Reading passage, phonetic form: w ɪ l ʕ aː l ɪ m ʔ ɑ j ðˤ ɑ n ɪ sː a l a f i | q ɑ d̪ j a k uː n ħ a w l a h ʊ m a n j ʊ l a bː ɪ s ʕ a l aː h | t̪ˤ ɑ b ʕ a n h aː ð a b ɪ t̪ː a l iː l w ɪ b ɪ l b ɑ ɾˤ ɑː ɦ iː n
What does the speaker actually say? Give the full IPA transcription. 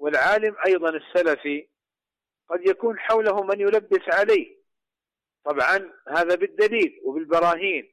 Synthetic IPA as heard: w ɪ l ʕ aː l ɪ m ʔ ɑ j ðˤ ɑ n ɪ sː a l a f i | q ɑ d̪ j a k uː n ħ a w l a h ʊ m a n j ʊ l a bː ɪ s ʕ a l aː h | t̪ˤ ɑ b ʕ ɑ n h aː ð a b ɪ d̪ː a l iː l w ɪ b ɪ l b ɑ ɾˤ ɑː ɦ iː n